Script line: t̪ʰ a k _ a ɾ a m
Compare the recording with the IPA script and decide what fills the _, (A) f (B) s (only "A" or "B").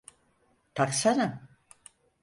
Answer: B